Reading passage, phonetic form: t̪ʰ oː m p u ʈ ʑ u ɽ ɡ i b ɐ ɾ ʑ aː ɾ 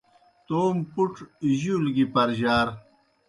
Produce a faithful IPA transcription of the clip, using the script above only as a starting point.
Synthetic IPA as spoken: t̪ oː m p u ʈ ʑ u l ɡ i p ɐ ɾ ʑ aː ɾ